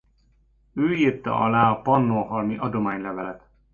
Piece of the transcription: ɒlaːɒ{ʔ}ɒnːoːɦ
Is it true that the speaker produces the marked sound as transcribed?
no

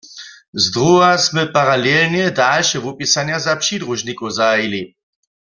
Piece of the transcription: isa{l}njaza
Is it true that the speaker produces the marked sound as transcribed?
no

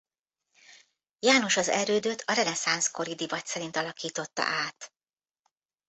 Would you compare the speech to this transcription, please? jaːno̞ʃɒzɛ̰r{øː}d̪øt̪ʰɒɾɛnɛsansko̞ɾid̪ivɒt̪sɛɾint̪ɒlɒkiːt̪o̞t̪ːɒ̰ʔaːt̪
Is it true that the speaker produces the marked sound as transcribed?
yes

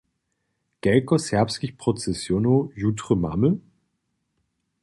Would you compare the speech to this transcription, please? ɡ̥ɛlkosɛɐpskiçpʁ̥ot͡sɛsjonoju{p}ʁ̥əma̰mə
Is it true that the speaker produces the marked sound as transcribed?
no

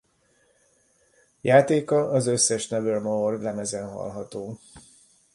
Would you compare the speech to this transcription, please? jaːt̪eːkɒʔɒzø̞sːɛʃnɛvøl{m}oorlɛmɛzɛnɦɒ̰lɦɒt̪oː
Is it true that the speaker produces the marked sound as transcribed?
yes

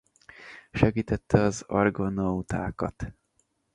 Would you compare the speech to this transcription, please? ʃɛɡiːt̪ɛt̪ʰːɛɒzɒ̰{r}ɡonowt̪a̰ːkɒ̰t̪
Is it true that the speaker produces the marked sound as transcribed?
yes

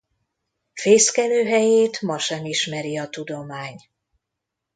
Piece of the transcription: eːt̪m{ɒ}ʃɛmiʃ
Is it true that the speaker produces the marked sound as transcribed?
yes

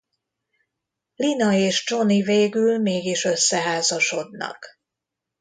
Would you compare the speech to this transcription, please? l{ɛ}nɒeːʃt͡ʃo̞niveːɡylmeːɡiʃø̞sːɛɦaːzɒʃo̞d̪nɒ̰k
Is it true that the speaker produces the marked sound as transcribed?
no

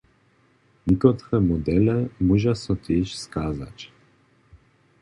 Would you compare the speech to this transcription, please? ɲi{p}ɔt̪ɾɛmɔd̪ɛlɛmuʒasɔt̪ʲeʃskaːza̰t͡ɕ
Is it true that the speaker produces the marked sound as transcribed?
no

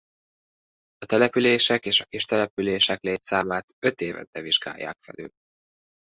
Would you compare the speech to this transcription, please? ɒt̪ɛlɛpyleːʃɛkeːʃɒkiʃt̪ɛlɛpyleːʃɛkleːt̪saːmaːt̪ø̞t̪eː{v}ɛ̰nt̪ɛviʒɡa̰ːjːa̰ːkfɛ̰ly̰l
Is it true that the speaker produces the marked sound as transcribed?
yes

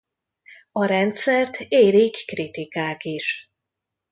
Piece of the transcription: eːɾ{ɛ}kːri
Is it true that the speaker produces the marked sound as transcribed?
no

